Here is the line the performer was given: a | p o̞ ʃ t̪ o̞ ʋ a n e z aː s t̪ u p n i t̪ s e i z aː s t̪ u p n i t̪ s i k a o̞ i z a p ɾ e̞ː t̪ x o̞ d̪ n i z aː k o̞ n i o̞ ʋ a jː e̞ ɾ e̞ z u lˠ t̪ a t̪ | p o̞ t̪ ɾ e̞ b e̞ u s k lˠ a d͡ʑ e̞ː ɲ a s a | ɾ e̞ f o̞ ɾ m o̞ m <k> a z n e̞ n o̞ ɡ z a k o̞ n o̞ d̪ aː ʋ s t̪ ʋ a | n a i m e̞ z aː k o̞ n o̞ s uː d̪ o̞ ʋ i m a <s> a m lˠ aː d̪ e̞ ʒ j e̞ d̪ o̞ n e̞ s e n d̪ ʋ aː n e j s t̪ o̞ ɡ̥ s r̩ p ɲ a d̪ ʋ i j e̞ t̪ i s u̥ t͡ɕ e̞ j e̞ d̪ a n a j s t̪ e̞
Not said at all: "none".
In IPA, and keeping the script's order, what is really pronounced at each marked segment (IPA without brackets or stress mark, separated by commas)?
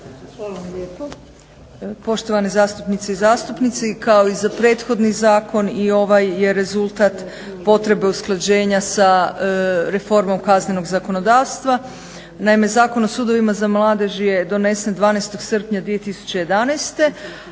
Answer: k, z